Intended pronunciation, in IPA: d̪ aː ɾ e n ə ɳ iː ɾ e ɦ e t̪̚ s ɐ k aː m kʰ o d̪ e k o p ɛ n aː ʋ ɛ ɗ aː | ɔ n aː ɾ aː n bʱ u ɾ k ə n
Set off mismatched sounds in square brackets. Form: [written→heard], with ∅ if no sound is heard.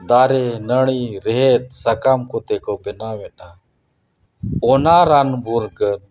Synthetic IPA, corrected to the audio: d̪ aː ɾ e n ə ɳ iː ɾ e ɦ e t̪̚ s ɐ k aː m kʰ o [d̪→t̪] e k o p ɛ n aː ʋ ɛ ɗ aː | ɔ n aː ɾ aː n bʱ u ɾ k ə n